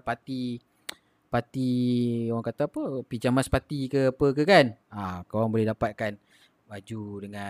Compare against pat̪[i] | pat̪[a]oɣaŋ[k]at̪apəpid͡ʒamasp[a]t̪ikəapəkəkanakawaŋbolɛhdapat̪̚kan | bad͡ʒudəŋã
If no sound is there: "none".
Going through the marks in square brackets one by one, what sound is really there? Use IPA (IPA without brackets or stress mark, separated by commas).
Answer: i, i, k, a